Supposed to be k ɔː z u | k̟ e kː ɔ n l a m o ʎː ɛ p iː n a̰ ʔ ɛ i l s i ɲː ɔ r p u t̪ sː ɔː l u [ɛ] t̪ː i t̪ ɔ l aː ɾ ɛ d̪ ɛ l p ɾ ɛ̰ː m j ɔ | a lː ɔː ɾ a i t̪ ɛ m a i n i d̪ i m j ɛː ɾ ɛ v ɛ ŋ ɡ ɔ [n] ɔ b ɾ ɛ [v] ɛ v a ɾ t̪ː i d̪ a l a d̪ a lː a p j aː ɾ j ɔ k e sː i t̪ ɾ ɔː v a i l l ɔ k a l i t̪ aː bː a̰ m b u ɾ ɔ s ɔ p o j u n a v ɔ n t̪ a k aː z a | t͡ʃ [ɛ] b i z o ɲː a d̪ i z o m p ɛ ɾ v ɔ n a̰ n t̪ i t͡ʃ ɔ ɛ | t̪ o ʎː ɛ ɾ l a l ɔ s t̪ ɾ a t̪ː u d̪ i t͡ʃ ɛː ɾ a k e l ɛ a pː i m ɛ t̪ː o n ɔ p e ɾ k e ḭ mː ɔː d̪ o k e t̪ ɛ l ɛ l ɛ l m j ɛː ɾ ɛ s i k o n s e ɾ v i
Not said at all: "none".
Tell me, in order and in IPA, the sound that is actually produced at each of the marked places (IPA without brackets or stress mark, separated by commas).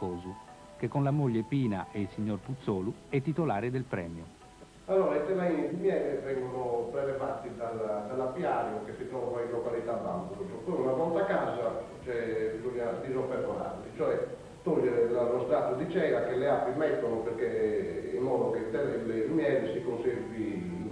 ɛ, n, v, ɛ